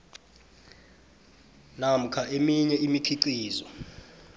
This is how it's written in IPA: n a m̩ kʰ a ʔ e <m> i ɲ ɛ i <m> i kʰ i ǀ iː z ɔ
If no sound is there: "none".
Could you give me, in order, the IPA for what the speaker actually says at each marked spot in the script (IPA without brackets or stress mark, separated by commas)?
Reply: m, m